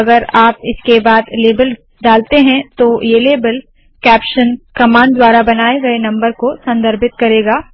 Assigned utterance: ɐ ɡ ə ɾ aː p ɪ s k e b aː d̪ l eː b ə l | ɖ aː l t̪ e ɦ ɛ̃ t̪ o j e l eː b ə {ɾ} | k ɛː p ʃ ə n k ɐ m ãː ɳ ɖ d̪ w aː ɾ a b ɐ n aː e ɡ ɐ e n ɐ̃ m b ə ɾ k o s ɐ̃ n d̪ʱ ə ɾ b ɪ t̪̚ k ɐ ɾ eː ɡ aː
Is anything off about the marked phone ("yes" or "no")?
yes